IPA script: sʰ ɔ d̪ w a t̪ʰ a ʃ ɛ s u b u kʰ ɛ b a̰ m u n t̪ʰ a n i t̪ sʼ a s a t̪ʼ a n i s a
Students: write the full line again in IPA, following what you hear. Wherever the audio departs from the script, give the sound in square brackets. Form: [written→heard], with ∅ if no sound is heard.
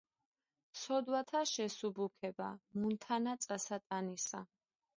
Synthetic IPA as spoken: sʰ ɔ d̪ w a t̪ʰ a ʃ ɛ s u b u kʰ ɛ b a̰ m u n t̪ʰ a n [i→a] t̪ sʼ a s a t̪ʼ a n i s a

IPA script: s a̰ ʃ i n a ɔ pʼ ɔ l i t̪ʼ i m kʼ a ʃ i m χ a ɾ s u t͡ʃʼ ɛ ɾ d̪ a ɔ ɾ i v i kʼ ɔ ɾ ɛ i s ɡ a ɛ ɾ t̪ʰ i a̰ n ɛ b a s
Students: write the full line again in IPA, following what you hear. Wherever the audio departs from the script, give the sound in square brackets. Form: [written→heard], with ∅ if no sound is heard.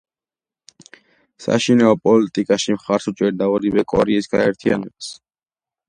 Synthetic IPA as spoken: s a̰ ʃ i n a ɔ pʼ ɔ l i t̪ʼ i [m→∅] kʼ a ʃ i m χ a ɾ s u t͡ʃʼ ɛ ɾ d̪ a ɔ ɾ i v [i→ɛ] kʼ ɔ ɾ ɛ i s ɡ a ɛ ɾ t̪ʰ i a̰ n ɛ b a s

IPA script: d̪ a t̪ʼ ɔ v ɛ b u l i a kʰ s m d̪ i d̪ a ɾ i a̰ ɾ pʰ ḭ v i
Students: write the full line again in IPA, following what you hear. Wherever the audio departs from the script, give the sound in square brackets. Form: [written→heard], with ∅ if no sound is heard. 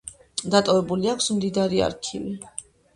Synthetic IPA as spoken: d̪ a t̪ʼ ɔ v ɛ b u l i a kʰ s m d̪ i d̪ a ɾ i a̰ ɾ [pʰ→kʰ] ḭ v i

